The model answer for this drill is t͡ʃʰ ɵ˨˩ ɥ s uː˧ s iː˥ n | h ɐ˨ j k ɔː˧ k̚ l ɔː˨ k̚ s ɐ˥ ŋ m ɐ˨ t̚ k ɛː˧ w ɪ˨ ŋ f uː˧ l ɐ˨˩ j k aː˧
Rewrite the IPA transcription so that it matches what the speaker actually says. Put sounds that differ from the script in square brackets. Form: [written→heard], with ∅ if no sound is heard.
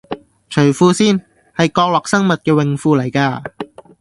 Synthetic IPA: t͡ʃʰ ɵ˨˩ ɥ [s→f] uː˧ s iː˥ n | h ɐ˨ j k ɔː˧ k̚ l ɔː˨ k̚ s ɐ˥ ŋ m ɐ˨ t̚ k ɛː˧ w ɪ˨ ŋ f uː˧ l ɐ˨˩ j k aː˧